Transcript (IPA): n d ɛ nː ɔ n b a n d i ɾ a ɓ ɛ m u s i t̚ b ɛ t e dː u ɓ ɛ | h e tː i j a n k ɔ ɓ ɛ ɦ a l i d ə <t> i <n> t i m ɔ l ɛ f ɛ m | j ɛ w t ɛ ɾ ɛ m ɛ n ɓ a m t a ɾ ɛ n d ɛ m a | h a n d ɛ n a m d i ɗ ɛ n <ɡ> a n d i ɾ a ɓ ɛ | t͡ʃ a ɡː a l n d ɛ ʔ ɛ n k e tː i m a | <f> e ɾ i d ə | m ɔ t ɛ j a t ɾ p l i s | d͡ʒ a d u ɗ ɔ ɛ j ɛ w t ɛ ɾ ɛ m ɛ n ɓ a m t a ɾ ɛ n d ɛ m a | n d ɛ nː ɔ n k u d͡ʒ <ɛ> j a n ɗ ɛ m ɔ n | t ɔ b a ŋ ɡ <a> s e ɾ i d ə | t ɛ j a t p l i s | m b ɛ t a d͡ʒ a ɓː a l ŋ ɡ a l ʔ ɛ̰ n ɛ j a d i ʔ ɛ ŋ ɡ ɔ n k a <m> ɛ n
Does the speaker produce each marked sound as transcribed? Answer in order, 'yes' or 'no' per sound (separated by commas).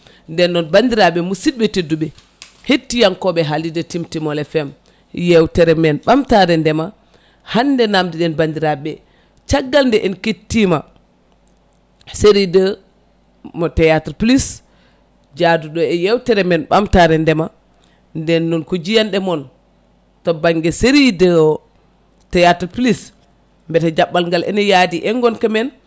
yes, no, no, no, no, no, yes